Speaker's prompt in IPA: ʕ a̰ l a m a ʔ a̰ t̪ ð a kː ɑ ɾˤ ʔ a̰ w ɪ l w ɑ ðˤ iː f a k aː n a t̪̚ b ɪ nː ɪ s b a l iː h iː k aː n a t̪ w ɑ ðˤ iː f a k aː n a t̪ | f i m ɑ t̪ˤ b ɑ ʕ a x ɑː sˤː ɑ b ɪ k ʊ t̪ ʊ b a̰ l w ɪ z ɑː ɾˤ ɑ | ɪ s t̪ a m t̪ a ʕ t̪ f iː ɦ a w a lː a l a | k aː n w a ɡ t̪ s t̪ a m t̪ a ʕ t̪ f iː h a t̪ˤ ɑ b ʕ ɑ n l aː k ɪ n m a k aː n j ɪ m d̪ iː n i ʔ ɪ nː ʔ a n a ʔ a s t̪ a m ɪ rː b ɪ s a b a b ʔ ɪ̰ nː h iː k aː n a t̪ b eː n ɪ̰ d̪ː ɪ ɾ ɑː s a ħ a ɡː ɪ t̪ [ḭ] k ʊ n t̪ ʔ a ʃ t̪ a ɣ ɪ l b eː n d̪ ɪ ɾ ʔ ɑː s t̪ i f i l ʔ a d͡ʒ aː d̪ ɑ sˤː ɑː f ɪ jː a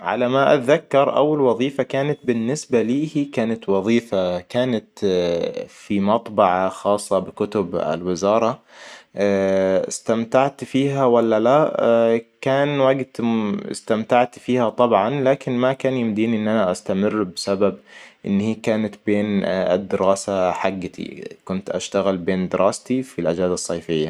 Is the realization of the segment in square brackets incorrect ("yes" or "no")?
no